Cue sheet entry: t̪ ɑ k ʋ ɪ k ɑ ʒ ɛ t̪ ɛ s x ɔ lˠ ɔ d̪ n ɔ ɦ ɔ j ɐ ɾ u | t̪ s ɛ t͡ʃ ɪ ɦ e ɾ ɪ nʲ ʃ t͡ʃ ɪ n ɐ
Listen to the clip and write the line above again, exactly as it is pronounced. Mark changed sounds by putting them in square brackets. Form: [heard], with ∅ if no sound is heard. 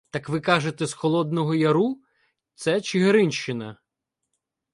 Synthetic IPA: t̪ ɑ k ʋ ɪ k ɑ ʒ [e] t̪ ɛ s x ɔ lˠ ɔ d̪ n ɔ ɦ ɔ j ɐ ɾ u | t̪ s ɛ t͡ʃ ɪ ɦ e ɾ ɪ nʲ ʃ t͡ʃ ɪ n ɐ